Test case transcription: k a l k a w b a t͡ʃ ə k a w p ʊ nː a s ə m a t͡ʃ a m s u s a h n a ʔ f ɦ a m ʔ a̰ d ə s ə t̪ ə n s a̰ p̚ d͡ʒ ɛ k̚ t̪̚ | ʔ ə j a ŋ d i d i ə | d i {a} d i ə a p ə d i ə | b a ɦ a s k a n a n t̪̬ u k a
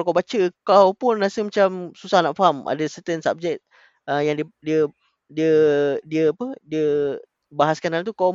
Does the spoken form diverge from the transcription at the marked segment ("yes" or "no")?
yes